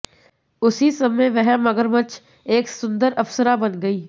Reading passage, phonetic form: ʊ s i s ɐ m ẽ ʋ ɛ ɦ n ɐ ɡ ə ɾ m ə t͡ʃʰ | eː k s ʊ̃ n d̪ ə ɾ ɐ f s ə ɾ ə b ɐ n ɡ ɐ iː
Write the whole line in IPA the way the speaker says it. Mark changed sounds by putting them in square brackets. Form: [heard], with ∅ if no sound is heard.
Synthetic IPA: ʊ s i s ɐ m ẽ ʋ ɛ ɦ [m] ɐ ɡ ə ɾ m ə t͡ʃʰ | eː k s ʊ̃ n d̪ ə ɾ ɐ f s ə ɾ [a] b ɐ n ɡ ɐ iː

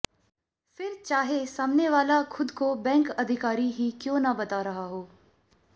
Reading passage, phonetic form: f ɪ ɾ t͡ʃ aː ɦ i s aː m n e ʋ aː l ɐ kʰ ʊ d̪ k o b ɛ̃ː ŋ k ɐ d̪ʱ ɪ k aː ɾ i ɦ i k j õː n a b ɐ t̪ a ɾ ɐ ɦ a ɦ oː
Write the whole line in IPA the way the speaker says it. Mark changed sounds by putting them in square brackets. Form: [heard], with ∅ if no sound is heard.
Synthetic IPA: f ɪ ɾ t͡ʃ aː ɦ [e] s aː m n e ʋ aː l [a] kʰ ʊ d̪ k o b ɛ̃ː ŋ k ɐ d̪ʱ ɪ k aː ɾ i ɦ i k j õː n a b ɐ t̪ a ɾ ɐ ɦ a ɦ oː

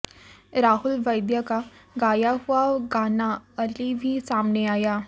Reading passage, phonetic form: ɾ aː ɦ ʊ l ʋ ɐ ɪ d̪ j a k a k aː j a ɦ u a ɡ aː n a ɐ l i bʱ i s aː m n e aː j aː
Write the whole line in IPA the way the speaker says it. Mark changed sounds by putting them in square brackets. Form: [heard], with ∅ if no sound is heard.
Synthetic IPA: ɾ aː ɦ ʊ l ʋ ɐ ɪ d̪ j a k a [ɡ] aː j a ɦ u a ɡ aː n a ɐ l i bʱ i s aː m n e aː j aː

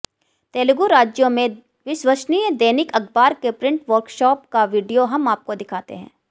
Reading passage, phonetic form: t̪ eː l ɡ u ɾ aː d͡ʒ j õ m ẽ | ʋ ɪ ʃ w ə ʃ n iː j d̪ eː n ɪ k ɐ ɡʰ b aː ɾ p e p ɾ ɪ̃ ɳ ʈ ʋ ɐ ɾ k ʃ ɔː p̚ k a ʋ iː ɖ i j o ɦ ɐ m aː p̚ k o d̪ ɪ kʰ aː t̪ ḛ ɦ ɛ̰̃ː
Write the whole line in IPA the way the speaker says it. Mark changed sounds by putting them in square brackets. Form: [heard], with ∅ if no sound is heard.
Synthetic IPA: t̪ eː l ɡ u ɾ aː d͡ʒ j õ m ẽ | ʋ ɪ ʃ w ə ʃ n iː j d̪ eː n ɪ k ɐ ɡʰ b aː ɾ [k] e p ɾ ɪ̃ ɳ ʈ ʋ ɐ ɾ k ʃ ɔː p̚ k a ʋ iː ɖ i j o ɦ ɐ m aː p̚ k o d̪ ɪ kʰ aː t̪ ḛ ɦ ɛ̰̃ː

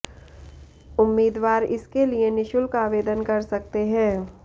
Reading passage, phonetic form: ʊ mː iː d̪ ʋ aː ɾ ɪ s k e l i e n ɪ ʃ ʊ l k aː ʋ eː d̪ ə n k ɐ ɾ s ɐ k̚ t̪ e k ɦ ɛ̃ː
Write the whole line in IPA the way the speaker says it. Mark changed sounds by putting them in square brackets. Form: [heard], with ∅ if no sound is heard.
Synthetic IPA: ʊ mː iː d̪ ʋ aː ɾ ɪ s k e l i e n ɪ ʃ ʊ l k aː ʋ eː d̪ ə n k ɐ ɾ s ɐ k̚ t̪ e [∅] ɦ ɛ̃ː

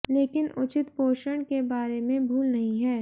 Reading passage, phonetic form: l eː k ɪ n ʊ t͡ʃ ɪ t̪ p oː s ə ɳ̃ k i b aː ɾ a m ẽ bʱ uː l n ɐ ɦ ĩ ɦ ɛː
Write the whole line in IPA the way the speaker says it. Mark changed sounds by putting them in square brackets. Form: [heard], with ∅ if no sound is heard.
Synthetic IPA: l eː k ɪ n ʊ t͡ʃ ɪ t̪ p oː [ʃ] ə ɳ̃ k [e] b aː ɾ [e] m ẽ bʱ uː l n ɐ ɦ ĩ ɦ ɛː

